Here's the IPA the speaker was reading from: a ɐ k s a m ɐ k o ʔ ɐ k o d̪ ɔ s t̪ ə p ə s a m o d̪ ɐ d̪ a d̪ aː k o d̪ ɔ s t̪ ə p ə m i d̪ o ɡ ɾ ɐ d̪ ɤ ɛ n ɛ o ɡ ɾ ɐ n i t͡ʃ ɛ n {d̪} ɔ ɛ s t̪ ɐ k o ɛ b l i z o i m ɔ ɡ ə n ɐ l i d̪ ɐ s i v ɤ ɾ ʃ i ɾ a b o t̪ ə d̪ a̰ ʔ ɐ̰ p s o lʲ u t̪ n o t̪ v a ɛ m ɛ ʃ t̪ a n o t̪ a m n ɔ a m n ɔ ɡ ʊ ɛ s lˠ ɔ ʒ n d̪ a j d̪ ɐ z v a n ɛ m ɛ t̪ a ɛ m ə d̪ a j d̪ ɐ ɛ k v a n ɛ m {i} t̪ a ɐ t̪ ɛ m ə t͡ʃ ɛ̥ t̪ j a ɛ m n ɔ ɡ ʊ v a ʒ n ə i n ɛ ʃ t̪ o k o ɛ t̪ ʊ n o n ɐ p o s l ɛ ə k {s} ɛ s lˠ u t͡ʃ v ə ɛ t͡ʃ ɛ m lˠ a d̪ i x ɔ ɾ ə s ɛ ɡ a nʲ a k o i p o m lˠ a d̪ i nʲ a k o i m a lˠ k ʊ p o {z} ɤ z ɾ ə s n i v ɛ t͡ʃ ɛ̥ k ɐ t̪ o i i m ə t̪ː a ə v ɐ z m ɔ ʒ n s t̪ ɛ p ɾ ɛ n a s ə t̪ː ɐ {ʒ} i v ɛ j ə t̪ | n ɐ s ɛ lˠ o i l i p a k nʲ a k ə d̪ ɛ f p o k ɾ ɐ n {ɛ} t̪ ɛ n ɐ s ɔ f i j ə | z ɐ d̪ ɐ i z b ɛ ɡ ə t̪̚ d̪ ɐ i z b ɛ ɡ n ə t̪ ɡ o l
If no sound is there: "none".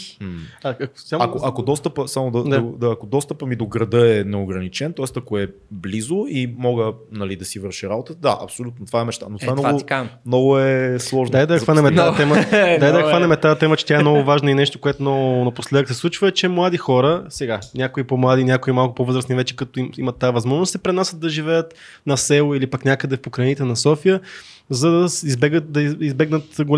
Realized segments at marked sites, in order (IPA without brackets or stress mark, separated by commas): t̪, ɛ, s, v, ʒ, i